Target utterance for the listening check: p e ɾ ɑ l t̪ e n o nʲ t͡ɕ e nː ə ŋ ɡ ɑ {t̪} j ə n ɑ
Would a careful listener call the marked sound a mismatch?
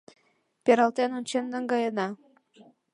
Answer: yes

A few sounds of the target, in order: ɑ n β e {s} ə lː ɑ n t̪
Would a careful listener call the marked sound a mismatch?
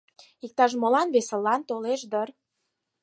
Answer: no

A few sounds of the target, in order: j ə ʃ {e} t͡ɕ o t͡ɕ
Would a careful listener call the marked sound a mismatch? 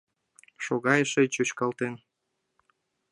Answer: no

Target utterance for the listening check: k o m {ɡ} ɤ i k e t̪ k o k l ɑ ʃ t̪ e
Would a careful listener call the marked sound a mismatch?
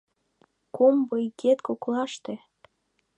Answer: yes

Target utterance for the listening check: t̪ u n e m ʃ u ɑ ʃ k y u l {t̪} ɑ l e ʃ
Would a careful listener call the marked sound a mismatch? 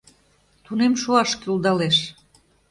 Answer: yes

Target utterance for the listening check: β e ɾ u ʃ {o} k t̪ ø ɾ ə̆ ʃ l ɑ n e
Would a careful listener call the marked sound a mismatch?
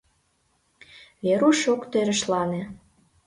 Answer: no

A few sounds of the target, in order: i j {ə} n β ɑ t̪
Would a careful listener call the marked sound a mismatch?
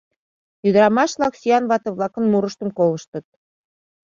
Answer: yes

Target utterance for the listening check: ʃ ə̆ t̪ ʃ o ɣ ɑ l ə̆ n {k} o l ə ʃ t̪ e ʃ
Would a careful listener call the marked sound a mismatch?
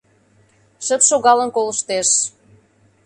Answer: no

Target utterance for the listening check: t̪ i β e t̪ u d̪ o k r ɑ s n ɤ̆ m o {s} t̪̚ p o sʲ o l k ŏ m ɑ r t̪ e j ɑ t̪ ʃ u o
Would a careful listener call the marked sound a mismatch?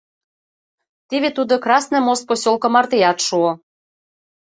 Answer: no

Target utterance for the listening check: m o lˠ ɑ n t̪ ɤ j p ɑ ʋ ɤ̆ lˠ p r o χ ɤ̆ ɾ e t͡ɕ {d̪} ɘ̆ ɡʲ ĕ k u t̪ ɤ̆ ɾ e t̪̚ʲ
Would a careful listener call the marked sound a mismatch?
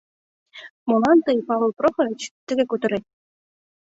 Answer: yes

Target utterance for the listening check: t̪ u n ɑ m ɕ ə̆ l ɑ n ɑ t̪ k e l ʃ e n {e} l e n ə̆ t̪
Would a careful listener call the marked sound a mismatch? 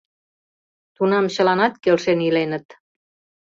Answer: yes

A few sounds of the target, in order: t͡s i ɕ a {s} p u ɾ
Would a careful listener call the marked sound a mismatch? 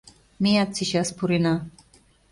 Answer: no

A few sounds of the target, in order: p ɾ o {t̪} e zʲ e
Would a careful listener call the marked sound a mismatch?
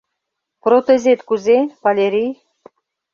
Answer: no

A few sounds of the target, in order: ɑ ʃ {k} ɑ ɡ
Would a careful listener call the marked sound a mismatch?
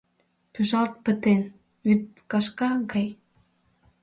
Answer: no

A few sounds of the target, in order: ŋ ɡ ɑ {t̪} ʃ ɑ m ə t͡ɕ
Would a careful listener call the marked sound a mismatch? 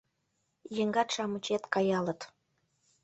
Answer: no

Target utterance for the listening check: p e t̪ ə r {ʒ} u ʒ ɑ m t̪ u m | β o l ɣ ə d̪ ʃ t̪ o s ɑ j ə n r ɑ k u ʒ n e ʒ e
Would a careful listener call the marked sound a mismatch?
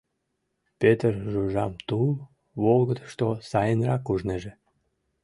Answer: no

